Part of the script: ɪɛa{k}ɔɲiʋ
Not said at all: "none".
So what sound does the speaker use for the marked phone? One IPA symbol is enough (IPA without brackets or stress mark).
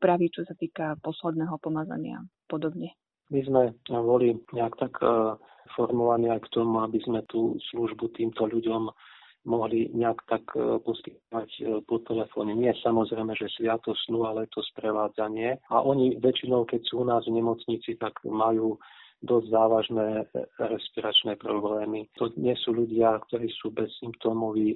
ʔ